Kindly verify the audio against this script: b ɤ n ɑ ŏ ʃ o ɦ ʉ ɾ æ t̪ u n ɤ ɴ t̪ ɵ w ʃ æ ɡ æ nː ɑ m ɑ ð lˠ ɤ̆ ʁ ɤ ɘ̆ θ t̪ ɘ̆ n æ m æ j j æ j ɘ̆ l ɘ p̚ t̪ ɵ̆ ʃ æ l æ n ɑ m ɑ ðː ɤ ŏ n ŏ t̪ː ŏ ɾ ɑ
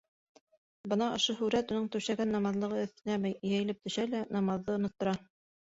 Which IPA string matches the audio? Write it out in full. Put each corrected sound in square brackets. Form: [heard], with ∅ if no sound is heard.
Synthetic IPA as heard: b ɤ n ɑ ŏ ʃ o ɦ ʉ ɾ æ t̪ u n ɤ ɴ t̪ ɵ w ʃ æ ɡ æ nː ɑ m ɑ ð lˠ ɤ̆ ʁ ɤ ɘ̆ θ t̪ ɘ̆ n æ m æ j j æ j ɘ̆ l ɘ p̚ t̪ ɵ̆ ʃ æ l æ n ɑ m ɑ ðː ɤ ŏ n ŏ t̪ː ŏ ɾ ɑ